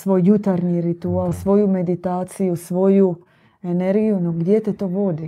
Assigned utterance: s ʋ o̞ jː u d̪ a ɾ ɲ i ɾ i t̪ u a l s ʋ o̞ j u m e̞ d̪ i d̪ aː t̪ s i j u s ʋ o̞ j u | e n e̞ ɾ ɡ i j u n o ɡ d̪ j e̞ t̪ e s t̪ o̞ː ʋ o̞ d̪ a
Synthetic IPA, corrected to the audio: s ʋ o̞ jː u t̪ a ɾ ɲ i ɾ i t̪ u a l s ʋ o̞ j u m e̞ d̪ i t̪ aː t̪ s i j u s ʋ o̞ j u | e n e̞ ɾ ɡ i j u n o ɡ d̪ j e̞ t̪ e t̪ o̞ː ʋ o̞ d̪ i